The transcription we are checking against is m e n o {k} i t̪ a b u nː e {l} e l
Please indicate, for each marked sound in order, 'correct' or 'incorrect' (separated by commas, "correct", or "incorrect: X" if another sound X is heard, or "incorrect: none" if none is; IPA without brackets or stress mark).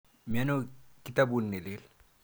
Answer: correct, correct